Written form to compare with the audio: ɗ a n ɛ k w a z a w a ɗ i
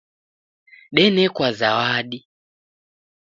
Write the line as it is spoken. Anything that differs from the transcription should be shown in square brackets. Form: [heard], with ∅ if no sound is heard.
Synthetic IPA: ɗ [ɛ] n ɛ k w a z a w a ɗ i